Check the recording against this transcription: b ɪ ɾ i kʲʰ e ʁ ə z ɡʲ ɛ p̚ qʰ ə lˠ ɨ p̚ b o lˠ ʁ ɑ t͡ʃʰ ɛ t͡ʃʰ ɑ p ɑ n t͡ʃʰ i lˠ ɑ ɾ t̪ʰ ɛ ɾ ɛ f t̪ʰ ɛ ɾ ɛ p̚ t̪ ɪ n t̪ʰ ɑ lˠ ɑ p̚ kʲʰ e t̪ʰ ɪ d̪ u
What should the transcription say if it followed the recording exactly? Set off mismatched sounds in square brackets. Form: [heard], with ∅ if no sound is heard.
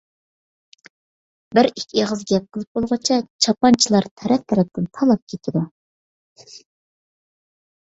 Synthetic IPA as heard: b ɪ ɾ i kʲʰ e ʁ ə z ɡʲ ɛ p̚ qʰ ə lˠ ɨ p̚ b o lˠ ʁ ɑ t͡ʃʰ ɛ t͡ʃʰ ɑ p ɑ n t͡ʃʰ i lˠ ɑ ɾ t̪ʰ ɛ ɾ ɛ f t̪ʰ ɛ ɾ ɛ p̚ t̪ ɪ n t̪ʰ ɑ lˠ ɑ p̚ kʲʰ e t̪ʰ ɪ d̪ u